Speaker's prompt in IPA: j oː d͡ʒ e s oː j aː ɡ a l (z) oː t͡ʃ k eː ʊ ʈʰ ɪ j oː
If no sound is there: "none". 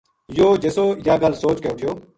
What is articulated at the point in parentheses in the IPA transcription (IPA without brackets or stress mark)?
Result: s